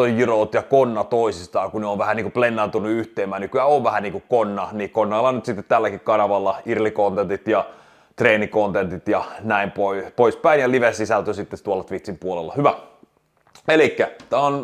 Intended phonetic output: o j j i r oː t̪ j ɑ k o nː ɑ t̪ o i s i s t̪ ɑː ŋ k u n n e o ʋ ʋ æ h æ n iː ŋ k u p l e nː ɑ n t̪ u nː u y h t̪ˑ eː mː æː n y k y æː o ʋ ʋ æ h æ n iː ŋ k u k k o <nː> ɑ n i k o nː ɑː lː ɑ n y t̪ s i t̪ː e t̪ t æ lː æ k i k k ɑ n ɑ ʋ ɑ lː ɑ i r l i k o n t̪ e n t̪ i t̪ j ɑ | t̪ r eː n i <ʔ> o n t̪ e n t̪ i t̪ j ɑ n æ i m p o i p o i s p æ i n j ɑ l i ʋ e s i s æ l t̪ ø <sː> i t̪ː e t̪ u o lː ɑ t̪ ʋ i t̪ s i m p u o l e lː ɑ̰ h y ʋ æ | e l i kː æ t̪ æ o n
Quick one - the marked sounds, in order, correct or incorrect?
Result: correct, incorrect: k, incorrect: s

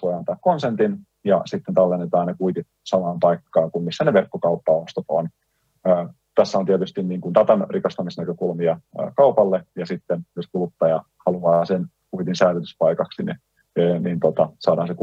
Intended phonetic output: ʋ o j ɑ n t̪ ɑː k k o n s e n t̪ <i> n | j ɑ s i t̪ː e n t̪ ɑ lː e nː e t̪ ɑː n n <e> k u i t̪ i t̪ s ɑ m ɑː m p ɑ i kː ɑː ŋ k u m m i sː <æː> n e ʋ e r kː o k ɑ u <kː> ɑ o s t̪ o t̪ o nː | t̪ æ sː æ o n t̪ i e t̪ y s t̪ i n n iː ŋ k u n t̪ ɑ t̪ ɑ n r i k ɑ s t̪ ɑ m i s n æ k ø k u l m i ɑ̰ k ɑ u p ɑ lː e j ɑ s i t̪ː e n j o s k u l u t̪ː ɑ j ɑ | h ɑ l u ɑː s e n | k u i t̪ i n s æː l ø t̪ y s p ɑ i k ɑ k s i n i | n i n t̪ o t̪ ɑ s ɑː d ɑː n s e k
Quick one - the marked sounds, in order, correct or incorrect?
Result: correct, correct, incorrect: æ, incorrect: pː

